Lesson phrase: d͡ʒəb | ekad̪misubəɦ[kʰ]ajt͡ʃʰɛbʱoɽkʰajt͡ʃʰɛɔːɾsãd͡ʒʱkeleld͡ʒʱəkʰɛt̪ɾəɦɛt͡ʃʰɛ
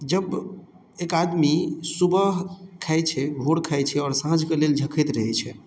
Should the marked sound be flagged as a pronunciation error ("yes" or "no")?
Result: no